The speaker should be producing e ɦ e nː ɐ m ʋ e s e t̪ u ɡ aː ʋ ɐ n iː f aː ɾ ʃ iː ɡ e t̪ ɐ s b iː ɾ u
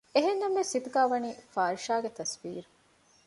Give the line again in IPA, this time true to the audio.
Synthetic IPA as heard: e ɦ e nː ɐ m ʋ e s i t̪ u ɡ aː ʋ ɐ n iː f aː ɾ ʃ aː ɡ e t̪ ɐ s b iː ɾ u